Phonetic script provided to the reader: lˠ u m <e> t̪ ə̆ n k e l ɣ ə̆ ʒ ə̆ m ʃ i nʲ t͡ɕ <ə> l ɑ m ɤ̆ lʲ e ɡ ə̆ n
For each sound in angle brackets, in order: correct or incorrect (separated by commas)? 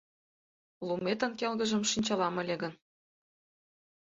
correct, incorrect